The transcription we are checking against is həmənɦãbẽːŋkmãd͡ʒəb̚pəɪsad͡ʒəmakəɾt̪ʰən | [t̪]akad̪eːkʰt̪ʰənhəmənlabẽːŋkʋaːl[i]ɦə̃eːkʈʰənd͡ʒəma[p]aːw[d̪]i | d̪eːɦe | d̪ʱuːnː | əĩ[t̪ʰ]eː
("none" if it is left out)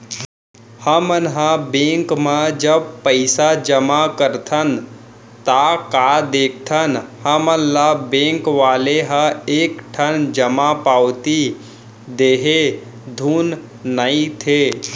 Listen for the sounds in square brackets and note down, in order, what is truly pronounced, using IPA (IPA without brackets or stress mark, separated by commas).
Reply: t̪, e, p, t̪, t̪ʰ